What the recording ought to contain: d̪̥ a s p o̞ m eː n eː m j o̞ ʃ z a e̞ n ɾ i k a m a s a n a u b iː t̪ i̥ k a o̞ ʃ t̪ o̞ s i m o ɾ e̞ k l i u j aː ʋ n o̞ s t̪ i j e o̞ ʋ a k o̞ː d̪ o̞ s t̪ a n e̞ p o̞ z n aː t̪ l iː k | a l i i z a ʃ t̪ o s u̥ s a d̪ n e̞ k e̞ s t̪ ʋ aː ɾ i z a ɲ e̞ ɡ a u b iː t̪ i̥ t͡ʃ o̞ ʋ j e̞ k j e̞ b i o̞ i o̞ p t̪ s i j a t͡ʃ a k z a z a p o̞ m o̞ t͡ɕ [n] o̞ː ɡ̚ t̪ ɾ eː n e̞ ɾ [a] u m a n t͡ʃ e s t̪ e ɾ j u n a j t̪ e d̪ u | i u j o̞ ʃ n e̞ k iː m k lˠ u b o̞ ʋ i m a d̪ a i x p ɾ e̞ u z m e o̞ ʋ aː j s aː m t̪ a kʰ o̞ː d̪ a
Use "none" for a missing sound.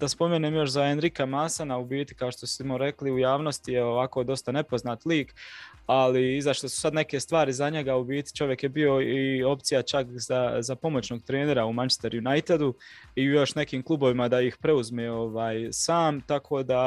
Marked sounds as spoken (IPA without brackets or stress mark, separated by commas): n, a